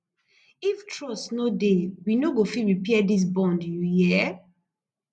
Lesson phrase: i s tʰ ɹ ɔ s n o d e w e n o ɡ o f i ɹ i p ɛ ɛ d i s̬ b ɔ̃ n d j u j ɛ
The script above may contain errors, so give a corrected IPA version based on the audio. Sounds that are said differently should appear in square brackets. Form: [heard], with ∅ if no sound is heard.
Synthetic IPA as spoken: i [f] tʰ ɹ ɔ s n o d e w [i] n o ɡ o f i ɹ i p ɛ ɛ d i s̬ b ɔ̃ n d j u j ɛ